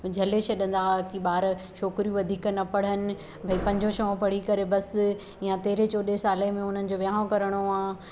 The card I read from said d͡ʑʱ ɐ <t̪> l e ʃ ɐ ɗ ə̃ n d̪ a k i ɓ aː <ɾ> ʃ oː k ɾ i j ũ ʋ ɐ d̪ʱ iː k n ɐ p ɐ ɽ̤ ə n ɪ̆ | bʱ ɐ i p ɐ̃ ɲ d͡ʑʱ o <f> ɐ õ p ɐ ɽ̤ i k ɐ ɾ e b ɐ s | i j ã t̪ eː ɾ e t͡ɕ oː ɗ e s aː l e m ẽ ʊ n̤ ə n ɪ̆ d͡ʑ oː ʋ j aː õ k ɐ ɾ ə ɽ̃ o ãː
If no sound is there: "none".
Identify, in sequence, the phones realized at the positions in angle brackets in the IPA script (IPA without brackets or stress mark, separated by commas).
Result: none, ɾ, ʃ